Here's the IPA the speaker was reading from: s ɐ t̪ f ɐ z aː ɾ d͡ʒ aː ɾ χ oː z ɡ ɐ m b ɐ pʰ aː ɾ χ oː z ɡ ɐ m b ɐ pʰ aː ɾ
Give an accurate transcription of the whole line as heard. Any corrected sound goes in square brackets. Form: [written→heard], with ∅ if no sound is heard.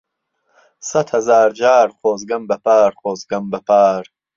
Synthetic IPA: s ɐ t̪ [f→h] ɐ z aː ɾ d͡ʒ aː ɾ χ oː z ɡ ɐ m b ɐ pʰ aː ɾ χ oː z ɡ ɐ m b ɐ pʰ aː ɾ